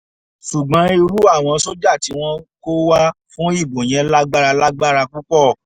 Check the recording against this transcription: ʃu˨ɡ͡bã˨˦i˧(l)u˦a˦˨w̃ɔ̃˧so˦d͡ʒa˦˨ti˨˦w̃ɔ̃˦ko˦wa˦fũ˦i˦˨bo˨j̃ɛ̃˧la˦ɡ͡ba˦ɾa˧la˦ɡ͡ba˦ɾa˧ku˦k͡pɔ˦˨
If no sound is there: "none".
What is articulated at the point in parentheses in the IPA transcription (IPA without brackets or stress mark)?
ɾ